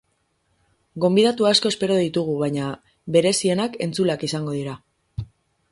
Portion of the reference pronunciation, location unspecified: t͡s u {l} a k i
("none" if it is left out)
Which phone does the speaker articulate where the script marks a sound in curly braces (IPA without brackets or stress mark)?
l